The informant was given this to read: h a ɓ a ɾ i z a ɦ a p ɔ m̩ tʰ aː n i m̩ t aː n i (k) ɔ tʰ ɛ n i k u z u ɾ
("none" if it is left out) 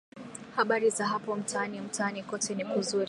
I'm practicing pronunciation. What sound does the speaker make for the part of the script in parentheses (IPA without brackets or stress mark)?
k